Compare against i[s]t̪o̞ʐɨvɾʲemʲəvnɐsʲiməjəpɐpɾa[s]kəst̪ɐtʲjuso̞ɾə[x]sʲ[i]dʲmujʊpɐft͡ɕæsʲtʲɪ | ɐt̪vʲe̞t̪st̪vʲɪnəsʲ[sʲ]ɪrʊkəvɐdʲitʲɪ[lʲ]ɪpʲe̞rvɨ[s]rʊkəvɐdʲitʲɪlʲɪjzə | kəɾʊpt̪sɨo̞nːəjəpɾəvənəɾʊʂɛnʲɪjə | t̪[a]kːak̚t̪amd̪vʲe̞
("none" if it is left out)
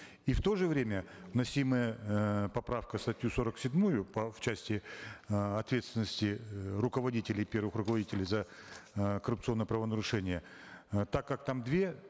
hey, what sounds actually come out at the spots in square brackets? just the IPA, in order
f, f, k, ɪ, tʲ, lʲ, x, a

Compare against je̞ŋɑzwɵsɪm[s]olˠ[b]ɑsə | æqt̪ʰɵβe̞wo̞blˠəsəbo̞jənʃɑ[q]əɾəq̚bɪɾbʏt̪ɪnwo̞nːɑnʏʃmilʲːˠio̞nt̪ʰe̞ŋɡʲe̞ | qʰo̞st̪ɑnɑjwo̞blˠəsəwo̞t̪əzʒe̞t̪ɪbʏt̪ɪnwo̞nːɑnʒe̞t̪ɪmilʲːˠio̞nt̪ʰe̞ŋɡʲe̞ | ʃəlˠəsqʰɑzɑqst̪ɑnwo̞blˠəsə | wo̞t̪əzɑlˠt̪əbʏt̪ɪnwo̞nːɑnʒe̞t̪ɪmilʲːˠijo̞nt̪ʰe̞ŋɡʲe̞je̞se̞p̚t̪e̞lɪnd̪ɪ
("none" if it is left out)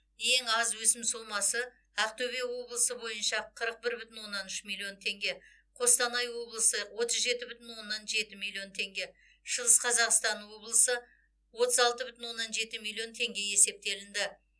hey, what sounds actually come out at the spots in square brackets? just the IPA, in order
s, m, qʰ

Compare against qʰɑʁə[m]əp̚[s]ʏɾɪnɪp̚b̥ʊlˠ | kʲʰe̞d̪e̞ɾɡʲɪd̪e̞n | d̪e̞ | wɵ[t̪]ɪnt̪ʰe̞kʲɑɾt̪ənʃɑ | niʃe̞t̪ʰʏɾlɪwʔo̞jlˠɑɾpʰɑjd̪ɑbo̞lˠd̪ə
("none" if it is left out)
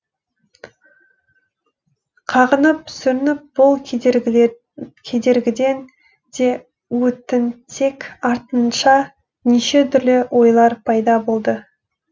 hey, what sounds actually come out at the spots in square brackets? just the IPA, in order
n, s, t̪

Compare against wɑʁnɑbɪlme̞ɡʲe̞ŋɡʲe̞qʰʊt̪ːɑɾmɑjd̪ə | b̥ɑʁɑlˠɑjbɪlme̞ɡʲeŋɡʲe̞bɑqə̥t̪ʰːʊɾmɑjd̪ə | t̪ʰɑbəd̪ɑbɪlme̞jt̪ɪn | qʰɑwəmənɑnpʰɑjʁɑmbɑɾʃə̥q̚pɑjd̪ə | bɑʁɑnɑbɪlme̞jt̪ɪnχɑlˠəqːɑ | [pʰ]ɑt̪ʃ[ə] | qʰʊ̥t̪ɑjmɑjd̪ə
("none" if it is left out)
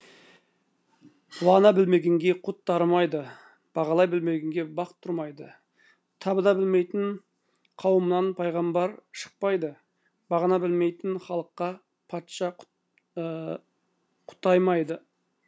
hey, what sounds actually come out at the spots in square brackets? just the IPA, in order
pʰ, ɑ

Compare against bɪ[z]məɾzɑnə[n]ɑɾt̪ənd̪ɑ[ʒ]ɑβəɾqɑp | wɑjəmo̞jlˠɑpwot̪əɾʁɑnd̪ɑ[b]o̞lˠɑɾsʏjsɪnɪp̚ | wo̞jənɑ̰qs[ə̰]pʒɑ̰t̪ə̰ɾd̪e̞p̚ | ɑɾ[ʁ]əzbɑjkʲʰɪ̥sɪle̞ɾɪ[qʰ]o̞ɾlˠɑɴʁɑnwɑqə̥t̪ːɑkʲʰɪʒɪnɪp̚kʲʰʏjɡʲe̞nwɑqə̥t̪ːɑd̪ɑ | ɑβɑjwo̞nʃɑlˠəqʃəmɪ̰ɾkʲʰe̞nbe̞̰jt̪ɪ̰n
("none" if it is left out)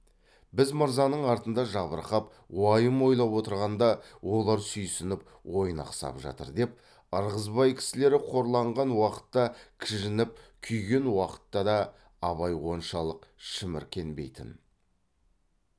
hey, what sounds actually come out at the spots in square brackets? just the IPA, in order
z, ɴ, ʒ, w, ɑ̰, ʁ, qʰ

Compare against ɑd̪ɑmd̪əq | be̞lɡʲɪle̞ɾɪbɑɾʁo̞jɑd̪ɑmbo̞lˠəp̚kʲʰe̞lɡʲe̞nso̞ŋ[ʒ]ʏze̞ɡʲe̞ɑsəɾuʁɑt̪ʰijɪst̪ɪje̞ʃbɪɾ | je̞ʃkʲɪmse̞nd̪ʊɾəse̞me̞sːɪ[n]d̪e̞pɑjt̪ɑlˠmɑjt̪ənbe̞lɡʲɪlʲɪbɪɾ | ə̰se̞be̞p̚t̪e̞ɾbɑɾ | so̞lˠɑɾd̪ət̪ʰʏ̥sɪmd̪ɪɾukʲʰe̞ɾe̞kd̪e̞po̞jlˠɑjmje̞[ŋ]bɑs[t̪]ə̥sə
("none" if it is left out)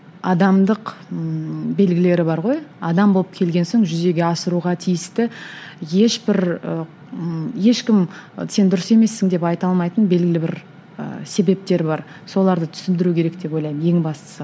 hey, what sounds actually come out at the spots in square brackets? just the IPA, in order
ʒ, ŋ, ŋ, t̪

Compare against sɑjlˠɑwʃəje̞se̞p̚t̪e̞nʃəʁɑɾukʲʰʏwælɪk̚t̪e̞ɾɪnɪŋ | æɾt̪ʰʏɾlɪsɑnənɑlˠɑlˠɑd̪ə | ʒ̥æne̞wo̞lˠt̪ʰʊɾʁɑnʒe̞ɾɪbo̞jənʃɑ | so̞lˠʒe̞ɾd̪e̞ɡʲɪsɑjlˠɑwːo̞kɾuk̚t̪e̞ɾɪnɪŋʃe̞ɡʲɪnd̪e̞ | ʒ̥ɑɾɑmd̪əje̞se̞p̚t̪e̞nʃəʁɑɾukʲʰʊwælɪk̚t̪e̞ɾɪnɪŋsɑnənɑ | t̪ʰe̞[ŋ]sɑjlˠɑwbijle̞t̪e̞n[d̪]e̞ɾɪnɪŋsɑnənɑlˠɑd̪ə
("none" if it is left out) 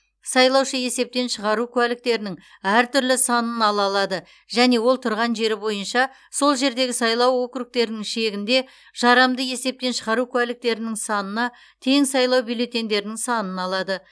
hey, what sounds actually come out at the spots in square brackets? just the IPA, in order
ŋ, d̪

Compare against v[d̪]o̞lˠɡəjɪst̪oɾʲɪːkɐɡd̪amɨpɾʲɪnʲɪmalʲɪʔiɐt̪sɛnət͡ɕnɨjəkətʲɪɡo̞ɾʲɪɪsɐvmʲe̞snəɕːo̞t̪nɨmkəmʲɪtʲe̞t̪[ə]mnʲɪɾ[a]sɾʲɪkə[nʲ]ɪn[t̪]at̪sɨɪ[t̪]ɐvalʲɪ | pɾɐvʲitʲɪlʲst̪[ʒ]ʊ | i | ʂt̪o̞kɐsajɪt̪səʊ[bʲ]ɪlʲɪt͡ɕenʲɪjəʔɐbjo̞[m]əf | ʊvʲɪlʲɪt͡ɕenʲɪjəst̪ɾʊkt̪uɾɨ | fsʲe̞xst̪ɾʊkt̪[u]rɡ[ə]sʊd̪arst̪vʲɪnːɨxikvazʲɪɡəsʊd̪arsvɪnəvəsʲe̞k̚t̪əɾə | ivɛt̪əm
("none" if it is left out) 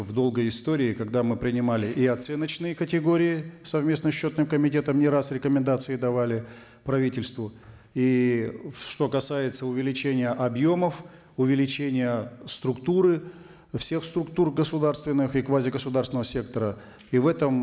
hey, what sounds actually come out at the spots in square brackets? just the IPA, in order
d̪, ə, a, mʲ, d̪, d̪, v, vʲ, m, u, ə

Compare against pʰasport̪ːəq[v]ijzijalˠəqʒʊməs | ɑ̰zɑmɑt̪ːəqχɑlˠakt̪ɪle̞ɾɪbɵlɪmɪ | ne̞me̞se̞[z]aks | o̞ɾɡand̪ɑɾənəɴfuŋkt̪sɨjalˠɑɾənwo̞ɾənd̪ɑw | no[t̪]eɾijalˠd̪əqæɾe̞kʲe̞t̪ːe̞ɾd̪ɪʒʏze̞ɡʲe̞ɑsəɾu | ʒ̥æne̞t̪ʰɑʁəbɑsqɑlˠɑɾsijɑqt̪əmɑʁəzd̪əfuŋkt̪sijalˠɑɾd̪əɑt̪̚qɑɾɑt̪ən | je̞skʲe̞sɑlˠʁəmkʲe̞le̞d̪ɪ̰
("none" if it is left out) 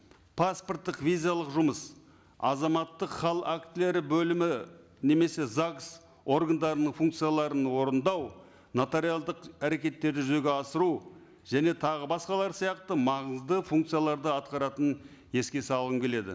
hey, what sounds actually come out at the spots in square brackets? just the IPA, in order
v, z, t̪

